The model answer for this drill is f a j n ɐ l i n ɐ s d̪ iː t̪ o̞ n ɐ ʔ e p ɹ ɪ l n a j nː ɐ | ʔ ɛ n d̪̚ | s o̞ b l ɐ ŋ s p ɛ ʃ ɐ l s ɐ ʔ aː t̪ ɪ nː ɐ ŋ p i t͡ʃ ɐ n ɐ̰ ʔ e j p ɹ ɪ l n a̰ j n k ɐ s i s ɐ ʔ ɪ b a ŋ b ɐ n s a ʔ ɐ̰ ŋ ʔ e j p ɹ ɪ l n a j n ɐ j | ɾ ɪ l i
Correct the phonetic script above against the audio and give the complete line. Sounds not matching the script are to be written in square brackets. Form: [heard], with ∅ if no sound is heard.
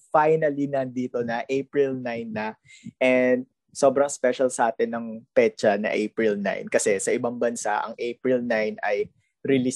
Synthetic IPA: f a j n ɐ l i n ɐ [∅] d̪ iː t̪ o̞ n ɐ ʔ e p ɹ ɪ l n a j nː ɐ | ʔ ɛ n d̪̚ | s o̞ b [ɾ] ɐ ŋ s p ɛ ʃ ɐ l s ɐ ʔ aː t̪ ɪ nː ɐ ŋ p [ɛ] t͡ʃ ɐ n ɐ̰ ʔ e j p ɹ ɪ l n a̰ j n k ɐ s [ɛ] s ɐ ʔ ɪ b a ŋ b ɐ n s a ʔ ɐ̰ ŋ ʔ e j p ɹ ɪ l n a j n ɐ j | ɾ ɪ l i